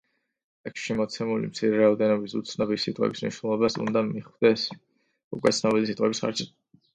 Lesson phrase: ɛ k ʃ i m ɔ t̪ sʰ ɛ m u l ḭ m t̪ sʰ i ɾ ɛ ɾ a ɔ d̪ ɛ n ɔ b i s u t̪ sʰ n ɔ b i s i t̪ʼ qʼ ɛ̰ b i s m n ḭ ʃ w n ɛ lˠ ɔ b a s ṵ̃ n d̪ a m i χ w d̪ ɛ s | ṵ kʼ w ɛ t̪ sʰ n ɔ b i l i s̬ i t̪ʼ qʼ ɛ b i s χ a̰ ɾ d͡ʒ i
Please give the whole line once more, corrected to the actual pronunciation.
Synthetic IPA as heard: ɛ k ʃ i m ɔ t̪ sʰ ɛ m u l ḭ m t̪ sʰ i ɾ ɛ ɾ a ɔ d̪ ɛ n ɔ b i s u t̪ sʰ n ɔ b i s i t̪ʼ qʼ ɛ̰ b i s m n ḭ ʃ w n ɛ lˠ ɔ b a s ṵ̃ n d̪ a m i χ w d̪ ɛ s | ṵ kʼ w ɛ t̪ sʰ n ɔ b i l i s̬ i t̪ʼ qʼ ɛ b i s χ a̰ ɾ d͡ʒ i